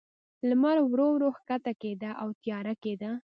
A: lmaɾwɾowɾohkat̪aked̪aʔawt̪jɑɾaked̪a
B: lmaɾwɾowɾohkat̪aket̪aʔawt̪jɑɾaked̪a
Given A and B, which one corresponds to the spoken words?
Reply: A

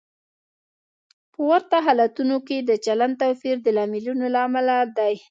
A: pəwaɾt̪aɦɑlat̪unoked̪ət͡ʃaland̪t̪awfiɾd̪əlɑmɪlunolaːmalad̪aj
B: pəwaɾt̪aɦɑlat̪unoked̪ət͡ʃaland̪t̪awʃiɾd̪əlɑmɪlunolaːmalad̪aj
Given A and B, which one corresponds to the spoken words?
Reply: A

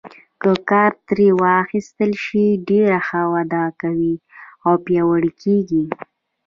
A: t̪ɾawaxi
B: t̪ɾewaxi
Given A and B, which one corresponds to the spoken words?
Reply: B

